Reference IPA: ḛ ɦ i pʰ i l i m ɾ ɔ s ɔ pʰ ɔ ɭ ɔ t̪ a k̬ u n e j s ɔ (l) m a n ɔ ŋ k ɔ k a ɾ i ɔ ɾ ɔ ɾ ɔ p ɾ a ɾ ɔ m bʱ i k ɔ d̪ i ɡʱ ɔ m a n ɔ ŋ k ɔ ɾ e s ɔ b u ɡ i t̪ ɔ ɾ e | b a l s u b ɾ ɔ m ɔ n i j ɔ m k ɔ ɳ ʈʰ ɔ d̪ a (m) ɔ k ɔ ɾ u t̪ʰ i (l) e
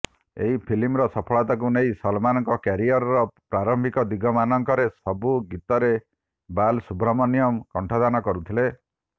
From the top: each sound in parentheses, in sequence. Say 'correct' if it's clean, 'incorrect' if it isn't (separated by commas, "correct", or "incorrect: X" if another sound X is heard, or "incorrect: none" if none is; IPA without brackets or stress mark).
correct, incorrect: n, correct